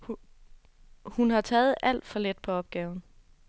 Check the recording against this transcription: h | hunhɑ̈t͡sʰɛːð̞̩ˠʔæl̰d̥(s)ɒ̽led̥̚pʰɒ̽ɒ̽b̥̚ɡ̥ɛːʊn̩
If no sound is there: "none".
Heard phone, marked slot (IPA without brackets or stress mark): f